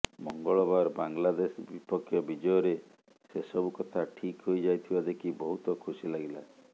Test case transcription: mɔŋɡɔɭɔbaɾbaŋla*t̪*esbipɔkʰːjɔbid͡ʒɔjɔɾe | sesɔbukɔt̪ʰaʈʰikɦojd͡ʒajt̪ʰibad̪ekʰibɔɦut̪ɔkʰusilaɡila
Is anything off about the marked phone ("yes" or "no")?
yes